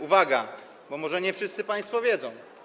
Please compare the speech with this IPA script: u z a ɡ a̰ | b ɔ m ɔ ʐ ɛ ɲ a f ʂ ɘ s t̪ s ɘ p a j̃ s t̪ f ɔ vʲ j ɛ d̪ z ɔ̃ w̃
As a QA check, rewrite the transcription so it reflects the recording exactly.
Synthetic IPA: u v a ɡ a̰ | b ɔ m ɔ ʐ ɛ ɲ ɛ f ʂ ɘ s t̪ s ɘ p a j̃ s t̪ f ɔ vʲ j ɛ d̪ z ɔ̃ w̃